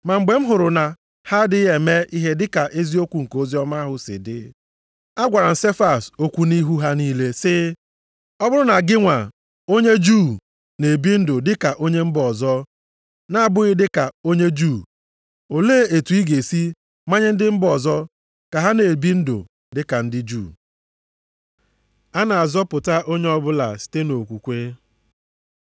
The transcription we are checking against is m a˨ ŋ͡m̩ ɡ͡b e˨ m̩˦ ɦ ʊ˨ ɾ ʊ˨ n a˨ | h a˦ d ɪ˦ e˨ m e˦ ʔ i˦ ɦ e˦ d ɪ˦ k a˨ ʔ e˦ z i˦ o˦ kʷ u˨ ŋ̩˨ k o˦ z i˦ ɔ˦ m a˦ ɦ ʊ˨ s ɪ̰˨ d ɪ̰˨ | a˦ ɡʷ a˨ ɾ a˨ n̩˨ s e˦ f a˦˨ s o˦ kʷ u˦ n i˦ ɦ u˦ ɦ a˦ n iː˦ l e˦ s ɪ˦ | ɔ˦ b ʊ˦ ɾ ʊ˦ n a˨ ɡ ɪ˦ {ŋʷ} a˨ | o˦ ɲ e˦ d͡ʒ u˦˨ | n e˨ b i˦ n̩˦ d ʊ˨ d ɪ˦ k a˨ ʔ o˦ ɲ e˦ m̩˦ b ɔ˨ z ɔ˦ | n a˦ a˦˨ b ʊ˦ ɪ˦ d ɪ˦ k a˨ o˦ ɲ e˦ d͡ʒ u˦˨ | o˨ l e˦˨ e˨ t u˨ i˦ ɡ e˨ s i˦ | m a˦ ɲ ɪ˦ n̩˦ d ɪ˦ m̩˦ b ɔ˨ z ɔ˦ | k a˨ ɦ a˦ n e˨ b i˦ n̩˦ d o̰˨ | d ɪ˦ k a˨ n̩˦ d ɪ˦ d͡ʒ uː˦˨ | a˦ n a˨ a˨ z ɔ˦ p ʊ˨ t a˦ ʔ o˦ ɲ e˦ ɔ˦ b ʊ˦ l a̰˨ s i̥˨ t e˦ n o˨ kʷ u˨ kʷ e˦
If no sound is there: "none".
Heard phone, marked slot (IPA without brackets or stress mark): ŋʷ